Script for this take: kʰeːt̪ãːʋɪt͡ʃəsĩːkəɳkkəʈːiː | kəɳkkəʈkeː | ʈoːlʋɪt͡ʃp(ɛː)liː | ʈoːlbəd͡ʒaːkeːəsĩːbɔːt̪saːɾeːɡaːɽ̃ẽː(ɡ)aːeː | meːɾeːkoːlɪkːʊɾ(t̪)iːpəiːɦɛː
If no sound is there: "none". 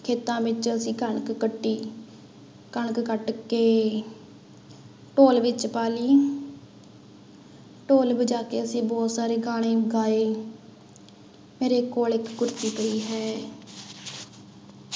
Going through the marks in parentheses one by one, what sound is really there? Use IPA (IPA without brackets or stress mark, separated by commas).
aː, ɡ, t̪